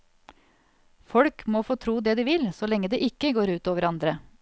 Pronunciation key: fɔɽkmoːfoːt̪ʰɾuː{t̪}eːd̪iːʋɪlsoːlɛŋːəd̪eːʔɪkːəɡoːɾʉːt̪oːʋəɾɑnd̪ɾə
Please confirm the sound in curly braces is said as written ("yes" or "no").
no